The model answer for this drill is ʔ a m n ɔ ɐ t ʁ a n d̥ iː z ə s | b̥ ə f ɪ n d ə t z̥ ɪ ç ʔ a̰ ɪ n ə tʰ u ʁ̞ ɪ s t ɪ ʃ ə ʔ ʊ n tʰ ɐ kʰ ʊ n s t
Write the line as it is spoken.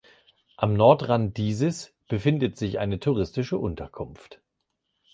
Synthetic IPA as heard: ʔ a m n ɔ ɐ t ʁ a n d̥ iː z ə s | b̥ ə f ɪ n d ə t z̥ ɪ ç ʔ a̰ ɪ n ə tʰ u ʁ̞ ɪ s t ɪ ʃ ə ʔ ʊ n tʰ ɐ kʰ ʊ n f t

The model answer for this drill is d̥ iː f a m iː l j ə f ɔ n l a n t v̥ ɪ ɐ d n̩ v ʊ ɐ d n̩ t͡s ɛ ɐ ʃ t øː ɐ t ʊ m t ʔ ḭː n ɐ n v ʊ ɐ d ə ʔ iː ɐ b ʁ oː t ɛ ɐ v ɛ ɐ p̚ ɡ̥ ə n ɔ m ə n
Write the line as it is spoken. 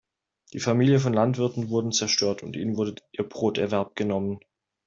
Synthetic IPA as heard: d̥ iː f a m iː l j ə f ɔ n l a n t v̥ ɪ ɐ t n̩ v ʊ ɐ d n̩ t͡s ɛ ɐ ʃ t øː ɐ t ʊ n t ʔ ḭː n ə n v ʊ ɐ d ə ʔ iː ɐ b ʁ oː t ɛ ɐ v ɛ ɐ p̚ ɡ̥ ə n ɔ m ə n

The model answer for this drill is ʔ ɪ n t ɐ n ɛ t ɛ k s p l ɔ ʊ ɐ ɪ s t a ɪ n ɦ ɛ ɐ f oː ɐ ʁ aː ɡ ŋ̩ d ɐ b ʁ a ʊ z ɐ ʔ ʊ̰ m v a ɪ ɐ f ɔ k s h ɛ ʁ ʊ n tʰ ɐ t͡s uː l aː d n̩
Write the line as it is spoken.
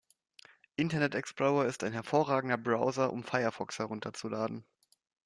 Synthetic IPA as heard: ʔ ɪ n t ɐ n ɛ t ɛ k s p l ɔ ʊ ɐ ɪ s t a ɪ n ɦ ɛ ɐ f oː ɐ ʁ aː ɡ ŋ̩ d ɐ b ʁ a ʊ z ɐ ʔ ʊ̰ m f a ɪ ɐ f ɔ k s h ɛ ʁ ʊ n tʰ ɐ t͡s u l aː d n̩

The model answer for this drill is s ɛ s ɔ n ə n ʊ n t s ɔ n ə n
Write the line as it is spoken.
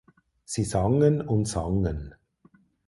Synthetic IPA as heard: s i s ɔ ŋ ə n ʊ n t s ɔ ŋ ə n

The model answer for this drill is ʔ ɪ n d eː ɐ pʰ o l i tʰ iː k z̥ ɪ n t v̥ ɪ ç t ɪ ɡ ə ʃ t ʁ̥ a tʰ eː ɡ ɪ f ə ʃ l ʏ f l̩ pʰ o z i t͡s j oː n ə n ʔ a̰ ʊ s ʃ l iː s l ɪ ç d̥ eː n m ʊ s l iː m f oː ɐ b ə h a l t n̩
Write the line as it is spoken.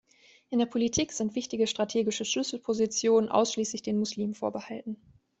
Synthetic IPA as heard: ʔ ɪ n d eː ɐ pʰ o l i tʰ iː k z̥ ɪ n t v̥ ɪ ç t ɪ ɡ ə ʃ t ʁ̥ a tʰ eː ɡ ɪ ʃ ə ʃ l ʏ s l̩ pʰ o z i t͡s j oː n ə n ʔ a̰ ʊ s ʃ l iː s l ɪ ç d̥ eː n m ʊ s l iː m f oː ɐ b ə h a l t n̩

